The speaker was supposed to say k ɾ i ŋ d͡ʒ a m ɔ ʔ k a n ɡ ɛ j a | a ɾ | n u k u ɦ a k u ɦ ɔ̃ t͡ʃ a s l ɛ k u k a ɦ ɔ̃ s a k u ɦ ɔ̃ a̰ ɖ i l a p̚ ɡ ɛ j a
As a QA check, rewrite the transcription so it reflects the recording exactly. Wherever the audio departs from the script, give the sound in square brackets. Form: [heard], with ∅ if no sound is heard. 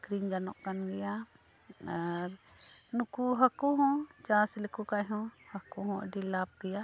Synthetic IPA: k ɾ i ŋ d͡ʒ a [n] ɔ ʔ k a n ɡ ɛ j a | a ɾ | n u k u ɦ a k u ɦ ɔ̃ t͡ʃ a s l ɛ k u k a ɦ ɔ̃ [h] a k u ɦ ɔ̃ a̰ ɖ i l a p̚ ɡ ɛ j a